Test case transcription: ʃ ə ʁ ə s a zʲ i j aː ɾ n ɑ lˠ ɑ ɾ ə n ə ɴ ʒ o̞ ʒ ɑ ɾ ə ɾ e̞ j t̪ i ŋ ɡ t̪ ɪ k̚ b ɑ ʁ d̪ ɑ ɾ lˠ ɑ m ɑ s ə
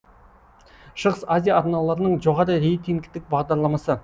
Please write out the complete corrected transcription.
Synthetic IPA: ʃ ə ʁ ə s a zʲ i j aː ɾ n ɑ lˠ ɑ ɾ ə n ə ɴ ʒ o̞ ʁ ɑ ɾ ə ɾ e̞ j t̪ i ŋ ɡ t̪ ɪ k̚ b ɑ ʁ d̪ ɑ ɾ lˠ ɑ m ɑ s ə

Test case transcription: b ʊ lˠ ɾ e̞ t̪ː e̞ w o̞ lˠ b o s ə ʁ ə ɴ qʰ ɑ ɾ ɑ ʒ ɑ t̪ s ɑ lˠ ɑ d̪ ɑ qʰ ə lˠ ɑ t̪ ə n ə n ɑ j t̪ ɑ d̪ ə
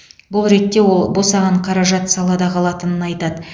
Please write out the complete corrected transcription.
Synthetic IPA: b ʊ lˠ ɾ e̞ t̪ː e̞ w o̞ lˠ b o s ɑ ʁ ɑ ɴ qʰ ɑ ɾ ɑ ʒ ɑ t̪ s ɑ lˠ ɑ d̪ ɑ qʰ ɑ lˠ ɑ t̪ ə n ə n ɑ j t̪ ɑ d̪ ə

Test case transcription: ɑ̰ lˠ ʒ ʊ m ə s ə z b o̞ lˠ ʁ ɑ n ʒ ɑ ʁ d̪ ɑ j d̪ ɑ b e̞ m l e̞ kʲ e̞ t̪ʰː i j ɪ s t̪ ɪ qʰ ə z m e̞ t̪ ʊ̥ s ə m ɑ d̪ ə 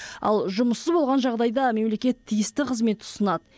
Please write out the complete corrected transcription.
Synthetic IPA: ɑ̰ lˠ ʒ ʊ m ə s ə z b o̞ lˠ ʁ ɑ n ʒ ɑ ʁ d̪ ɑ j d̪ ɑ m e̞ m l e̞ kʲ e̞ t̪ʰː i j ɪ s t̪ ɪ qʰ ə z m e̞ t̪ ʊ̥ s ə n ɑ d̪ ə

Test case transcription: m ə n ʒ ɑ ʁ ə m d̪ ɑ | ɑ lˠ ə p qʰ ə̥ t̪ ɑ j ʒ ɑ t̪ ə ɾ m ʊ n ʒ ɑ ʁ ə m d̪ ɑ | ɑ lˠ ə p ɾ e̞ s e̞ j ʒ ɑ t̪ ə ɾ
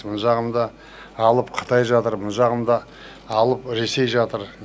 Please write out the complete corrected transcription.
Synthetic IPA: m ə n ʒ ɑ ʁ ə m d̪ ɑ | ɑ lˠ ə p qʰ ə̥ t̪ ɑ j ʒ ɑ t̪ ə ɾ m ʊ n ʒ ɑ ʁ ə m d̪ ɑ | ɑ lˠ ə p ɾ e̞ s e̞ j ʒ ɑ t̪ ə ɾ

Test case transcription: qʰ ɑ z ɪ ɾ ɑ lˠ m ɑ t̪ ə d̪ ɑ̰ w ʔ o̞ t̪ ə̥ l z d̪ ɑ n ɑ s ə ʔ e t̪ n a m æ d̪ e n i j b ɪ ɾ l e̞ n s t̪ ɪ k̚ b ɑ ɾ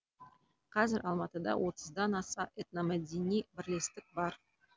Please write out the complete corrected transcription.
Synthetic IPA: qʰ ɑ z ɪ ɾ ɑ lˠ m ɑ t̪ ə d̪ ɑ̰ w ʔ o̞ t̪ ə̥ z d̪ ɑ n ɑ s ɑ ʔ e t̪ n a m æ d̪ e n i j b ɪ ɾ l e̞ s t̪ ɪ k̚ b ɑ ɾ

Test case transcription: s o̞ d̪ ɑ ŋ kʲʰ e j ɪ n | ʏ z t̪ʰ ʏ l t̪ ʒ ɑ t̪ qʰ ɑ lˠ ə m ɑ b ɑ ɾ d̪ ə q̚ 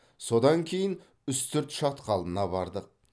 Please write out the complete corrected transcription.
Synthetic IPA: s o̞ d̪ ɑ ŋ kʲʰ e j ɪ n | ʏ s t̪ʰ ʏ ɾ t̪ ʃ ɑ t̪ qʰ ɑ lˠ ə n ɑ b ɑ ɾ d̪ ə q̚

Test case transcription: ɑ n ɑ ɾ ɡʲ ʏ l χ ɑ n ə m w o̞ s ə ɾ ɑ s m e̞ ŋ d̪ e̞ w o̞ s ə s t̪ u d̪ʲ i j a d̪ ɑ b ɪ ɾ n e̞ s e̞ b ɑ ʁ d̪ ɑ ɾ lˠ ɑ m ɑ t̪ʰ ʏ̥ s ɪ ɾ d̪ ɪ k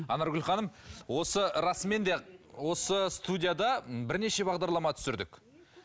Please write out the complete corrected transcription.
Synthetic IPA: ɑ n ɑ ɾ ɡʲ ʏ l χ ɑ n ə m w o̞ s ə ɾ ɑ s m e̞ n d̪ e̞ w o̞ s ə s t̪ u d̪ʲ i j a d̪ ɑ b ɪ ɾ n e̞ ʃ e̞ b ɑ ʁ d̪ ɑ ɾ lˠ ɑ m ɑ t̪ʰ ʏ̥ s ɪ ɾ d̪ ɪ k

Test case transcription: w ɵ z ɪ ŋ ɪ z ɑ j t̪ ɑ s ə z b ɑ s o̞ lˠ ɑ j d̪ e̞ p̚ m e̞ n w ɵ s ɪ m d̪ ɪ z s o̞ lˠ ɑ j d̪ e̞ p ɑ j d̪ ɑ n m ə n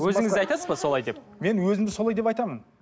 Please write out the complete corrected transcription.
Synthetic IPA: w ɵ z ɪ ŋ ɪ z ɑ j t̪ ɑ s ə z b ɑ s o̞ lˠ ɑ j d̪ e̞ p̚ m e̞ n w ɵ z ɪ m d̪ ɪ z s o̞ lˠ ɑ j d̪ e̞ p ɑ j t̪ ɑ m ə n

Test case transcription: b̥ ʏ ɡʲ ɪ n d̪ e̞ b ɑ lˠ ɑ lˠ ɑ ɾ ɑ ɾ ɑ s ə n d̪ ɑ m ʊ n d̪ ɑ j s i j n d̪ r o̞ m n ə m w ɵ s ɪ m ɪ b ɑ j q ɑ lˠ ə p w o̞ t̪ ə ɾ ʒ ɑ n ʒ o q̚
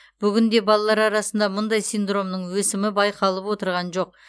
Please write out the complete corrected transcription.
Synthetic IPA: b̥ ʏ ɡʲ ɪ n d̪ e̞ b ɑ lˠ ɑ lˠ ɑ ɾ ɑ ɾ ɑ s ə n d̪ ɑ m ʊ n d̪ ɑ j s i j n d̪ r o̞ m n ə ɴ w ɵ s ɪ m ɪ b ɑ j q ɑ lˠ ə p w o̞ t̪ ə ɾ ʁ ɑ n ʒ o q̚

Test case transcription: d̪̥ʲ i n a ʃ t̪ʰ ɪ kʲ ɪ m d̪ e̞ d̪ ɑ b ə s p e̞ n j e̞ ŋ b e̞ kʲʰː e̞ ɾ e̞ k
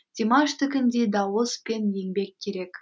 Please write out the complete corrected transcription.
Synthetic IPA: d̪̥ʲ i m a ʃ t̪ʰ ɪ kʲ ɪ n d̪ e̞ d̪ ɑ w ə s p e̞ n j e̞ ŋ b e̞ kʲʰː e̞ ɾ e̞ k

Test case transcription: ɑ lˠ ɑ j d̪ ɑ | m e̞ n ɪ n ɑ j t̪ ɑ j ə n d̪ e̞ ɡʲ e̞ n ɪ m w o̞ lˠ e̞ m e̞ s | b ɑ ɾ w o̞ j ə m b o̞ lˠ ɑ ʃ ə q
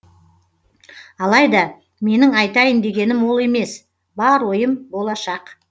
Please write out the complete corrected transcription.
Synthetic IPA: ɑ lˠ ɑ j d̪ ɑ | m e̞ n ɪ ŋ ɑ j t̪ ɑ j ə n d̪ e̞ ɡʲ e̞ n ɪ m w o̞ lˠ e̞ m e̞ s | b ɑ ɾ w o̞ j ə m b o̞ lˠ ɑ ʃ ɑ q

